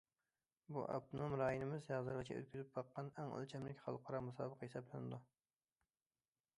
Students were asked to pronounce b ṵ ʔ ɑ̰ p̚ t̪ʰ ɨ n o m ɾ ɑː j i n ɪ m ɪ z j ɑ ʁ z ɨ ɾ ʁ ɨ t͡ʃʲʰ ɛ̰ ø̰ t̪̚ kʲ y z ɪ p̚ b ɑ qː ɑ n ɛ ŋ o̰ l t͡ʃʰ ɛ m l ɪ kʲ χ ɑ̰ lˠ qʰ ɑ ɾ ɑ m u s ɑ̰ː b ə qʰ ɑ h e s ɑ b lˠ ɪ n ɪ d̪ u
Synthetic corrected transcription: b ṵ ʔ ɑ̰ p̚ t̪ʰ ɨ n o m ɾ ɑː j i n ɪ m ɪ z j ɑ ʁ z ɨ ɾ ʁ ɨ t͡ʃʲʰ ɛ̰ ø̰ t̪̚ kʲ y z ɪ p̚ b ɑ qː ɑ n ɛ ŋ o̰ l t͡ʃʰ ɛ m l ɪ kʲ χ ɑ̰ lˠ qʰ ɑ ɾ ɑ m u s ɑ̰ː b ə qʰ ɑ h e s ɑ b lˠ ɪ n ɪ d̪ u

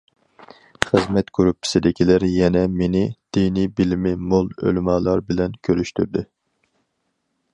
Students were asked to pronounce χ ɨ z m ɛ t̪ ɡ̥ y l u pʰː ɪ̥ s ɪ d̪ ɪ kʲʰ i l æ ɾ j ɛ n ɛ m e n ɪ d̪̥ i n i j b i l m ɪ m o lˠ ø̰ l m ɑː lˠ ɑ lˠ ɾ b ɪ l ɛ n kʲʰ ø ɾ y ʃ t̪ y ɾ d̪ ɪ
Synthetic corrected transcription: χ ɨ z m ɛ t̪ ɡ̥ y ɾ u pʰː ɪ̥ s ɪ d̪ ɪ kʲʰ i l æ ɾ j ɛ n ɛ m e n ɪ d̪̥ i n i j b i l m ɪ m o lˠ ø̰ l m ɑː lˠ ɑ ɾ b ɪ l ɛ n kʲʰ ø ɾ y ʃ t̪ y ɾ d̪ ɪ

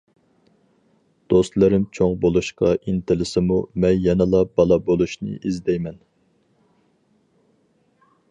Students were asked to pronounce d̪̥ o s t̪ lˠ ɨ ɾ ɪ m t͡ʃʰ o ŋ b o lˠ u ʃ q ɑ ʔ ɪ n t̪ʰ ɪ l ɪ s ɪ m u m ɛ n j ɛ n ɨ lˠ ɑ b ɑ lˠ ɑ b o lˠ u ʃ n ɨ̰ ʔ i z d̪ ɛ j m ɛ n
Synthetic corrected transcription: d̪̥ o s t̪ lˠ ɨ ɾ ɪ m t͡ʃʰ o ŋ b o lˠ u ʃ q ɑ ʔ i n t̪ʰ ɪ l ɪ s ɪ m u m ɛ n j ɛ n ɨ lˠ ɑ b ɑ lˠ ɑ b o lˠ u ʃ n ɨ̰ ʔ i z d̪ ɛ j m ɛ n

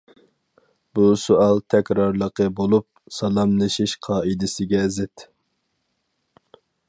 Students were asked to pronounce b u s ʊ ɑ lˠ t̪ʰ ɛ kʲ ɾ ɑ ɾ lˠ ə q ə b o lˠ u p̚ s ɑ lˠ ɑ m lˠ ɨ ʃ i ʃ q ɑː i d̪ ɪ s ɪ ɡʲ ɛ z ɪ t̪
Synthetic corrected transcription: b u s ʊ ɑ lˠ t̪ʰ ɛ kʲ ɾ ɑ ɾ lˠ ə q ə b o lˠ u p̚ s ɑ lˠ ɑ m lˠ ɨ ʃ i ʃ qʰ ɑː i d̪ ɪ s ɪ ɡʲ ɛ z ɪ t̪

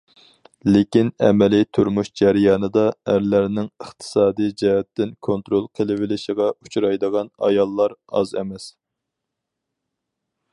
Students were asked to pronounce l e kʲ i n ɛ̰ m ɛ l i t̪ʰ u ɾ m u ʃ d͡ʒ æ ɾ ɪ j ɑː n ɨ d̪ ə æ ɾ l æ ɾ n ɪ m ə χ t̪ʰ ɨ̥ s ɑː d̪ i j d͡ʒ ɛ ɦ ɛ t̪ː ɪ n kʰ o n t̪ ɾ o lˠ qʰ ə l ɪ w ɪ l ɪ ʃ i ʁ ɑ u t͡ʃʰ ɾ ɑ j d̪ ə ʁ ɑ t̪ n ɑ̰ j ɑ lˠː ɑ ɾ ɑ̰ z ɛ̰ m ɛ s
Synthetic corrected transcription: l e kʲ i n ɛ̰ m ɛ l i t̪ʰ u ɾ m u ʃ d͡ʒ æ ɾ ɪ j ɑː n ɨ d̪ ɑ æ ɾ l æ ɾ n ɪ ŋ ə χ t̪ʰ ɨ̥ s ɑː d̪ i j d͡ʒ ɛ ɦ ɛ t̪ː ɪ n kʰ o n t̪ ɾ o lˠ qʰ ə l ɪ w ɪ l ɪ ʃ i ʁ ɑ u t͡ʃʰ ɾ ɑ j d̪ ə ʁ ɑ n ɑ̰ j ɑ lˠː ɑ ɾ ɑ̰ z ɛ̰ m ɛ s

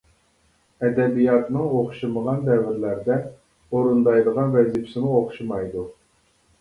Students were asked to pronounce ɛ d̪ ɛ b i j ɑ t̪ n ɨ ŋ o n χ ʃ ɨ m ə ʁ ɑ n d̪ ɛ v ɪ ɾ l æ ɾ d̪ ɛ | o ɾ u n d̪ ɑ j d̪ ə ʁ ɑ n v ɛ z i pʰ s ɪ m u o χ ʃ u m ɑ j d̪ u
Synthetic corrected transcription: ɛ d̪ ɛ b i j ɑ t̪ n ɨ ŋ o χ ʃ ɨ m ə ʁ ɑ n d̪ ɛ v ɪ ɾ l æ ɾ d̪ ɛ | o ɾ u n d̪ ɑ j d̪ ə ʁ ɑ n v ɛ z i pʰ s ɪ m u o χ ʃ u m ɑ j d̪ u

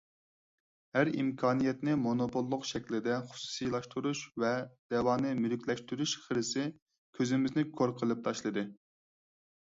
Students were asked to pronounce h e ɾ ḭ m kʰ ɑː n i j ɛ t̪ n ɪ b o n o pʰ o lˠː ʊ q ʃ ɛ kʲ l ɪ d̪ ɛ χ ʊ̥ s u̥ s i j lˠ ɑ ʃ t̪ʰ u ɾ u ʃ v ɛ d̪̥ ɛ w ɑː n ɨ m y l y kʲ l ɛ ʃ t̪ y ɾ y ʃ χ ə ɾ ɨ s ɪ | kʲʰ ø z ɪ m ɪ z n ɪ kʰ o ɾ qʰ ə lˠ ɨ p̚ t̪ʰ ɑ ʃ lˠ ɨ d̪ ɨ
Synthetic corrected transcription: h æ ɾ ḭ m kʰ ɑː n i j ɛ t̪ n ɪ m o n o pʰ o lˠː ʊ q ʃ ɛ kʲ l ɪ d̪ ɛ χ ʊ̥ s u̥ s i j lˠ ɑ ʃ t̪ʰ u ɾ u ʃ v ɛ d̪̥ ɛ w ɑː n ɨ m y l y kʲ l ɛ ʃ t̪ y ɾ y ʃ χ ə ɾ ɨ s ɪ | kʲʰ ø z ɪ m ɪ z n ɪ kʰ o ɾ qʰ ə lˠ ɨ p̚ t̪ʰ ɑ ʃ lˠ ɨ d̪ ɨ

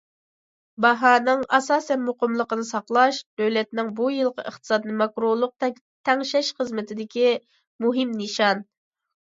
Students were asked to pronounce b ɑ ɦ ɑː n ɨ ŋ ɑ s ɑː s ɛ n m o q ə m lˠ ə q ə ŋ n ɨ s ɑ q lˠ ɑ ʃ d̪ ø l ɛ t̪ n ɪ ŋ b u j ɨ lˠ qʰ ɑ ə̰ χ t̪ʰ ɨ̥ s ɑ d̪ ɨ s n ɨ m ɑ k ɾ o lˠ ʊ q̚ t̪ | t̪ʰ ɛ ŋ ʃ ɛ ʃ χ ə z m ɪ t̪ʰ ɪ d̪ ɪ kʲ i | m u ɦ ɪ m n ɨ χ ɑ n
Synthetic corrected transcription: b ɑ ɦ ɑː n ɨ ŋ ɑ s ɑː s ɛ n m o q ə m lˠ ə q ə n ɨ s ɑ q lˠ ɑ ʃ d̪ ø l ɛ t̪ n ɪ ŋ b u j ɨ lˠ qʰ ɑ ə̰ χ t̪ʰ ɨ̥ s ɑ d̪ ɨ n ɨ m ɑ k ɾ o lˠ ʊ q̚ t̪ | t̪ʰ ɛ ŋ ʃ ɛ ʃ χ ə z m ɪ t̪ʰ ɪ d̪ ɪ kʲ i | m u ɦ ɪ m n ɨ ʃ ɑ n

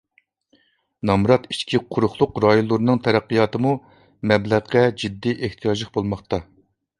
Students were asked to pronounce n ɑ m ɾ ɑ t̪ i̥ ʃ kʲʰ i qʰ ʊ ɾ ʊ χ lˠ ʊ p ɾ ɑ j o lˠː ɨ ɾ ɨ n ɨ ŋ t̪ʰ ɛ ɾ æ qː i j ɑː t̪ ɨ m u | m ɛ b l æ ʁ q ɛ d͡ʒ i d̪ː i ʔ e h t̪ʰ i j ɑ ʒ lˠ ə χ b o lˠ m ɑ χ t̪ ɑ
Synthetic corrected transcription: n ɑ m ɾ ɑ t̪ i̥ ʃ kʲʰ i qʰ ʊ ɾ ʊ χ lˠ ʊ q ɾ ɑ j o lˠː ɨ ɾ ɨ n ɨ ŋ t̪ʰ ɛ ɾ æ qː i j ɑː t̪ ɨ m u | m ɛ b l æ ʁ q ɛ d͡ʒ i d̪ː i ʔ e h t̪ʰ i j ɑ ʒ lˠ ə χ b o lˠ m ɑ χ t̪ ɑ

